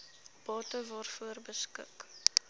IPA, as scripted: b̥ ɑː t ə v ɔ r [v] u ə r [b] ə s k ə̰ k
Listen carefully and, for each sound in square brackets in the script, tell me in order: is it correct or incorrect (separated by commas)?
incorrect, correct